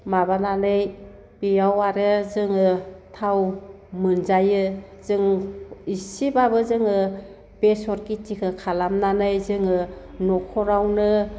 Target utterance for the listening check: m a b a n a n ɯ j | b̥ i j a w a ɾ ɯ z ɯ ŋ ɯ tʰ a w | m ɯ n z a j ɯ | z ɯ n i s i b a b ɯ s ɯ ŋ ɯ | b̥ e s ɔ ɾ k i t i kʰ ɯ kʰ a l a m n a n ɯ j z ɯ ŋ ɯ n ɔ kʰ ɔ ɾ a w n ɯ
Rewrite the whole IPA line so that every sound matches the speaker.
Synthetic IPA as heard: m a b a n a n ɯ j | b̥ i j a w a ɾ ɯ z ɯ ŋ ɯ tʰ a w | m ɯ n z a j ɯ | z ɯ ŋ i s i b a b ɯ z ɯ ŋ ɯ | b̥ e s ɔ ɾ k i t i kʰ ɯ kʰ a l a m n a n ɯ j z ɯ ŋ ɯ n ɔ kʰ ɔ ɾ a w n ɯ